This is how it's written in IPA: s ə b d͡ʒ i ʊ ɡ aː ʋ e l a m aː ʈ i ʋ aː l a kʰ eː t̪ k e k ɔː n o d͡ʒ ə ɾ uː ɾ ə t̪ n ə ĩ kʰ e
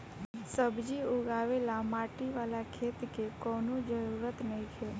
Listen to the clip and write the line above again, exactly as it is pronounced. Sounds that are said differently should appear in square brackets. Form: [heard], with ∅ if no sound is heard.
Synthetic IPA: s ə b d͡ʒ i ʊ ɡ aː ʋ e l a m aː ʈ i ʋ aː l a kʰ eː t̪ k e k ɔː n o d͡ʒ ə ɾ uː ɾ ə t̪ n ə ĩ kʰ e